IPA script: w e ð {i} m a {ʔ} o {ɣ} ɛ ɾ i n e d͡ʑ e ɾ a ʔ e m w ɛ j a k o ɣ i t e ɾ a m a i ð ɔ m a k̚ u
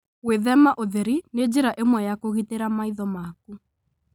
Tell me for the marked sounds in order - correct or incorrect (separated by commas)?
incorrect, correct, incorrect